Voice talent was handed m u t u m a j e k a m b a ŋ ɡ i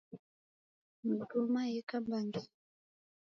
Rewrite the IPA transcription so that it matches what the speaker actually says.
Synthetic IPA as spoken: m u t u m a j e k a m b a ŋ ɡ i